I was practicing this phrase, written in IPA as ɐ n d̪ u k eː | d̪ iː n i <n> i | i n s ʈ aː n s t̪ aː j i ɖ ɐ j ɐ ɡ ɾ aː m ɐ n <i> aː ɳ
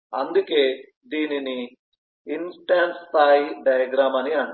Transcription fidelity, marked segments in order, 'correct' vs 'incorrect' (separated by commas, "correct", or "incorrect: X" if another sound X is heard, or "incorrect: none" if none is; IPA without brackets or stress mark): correct, correct